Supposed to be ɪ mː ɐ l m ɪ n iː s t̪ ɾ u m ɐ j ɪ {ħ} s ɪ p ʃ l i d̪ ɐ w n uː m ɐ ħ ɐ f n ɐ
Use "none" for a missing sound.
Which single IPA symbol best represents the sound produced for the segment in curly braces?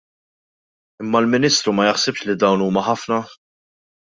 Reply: ħ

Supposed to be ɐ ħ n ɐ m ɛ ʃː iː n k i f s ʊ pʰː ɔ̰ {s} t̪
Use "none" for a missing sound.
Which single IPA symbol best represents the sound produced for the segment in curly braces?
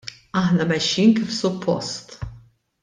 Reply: s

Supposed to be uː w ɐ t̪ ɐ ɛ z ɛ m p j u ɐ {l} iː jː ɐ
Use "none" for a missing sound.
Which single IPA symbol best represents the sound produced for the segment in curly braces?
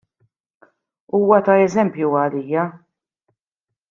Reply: l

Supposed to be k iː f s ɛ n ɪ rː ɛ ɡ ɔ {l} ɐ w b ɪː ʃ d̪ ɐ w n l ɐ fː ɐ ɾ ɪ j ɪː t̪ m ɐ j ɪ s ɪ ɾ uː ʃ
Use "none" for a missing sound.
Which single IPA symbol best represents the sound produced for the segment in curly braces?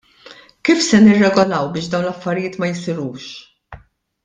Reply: l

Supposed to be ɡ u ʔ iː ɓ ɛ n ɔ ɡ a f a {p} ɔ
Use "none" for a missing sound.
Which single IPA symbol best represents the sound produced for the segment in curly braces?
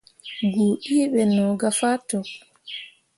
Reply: t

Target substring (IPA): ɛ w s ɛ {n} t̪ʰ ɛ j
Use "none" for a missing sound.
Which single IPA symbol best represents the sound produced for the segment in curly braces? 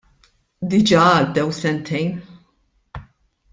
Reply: n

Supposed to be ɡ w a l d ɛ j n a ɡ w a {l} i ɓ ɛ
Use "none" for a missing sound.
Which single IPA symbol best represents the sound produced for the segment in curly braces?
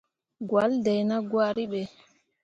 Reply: ɾ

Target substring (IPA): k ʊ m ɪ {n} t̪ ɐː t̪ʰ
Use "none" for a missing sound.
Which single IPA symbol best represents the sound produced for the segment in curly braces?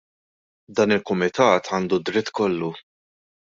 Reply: none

